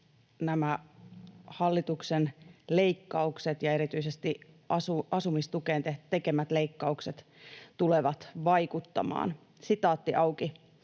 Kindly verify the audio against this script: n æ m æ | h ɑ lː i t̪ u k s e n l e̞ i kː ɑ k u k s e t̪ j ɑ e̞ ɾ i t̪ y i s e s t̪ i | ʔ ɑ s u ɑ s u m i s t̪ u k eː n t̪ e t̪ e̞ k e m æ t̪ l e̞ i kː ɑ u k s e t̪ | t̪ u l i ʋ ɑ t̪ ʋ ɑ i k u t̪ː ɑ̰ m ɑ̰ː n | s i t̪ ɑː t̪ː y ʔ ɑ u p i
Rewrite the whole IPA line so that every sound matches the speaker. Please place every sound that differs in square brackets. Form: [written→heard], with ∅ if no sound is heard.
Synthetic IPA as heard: n æ m æ | h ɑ lː i t̪ u k s e n l e̞ i kː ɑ [k→∅] u k s e t̪ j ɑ e̞ ɾ i t̪ y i s e s t̪ i | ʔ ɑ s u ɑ s u m i s t̪ u k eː n t̪ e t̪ e̞ k e m æ t̪ l e̞ i kː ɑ u k s e t̪ | t̪ u l [i→e] ʋ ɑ t̪ ʋ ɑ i k u t̪ː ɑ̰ m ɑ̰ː n | s i t̪ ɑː t̪ː [y→i] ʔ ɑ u [p→k] i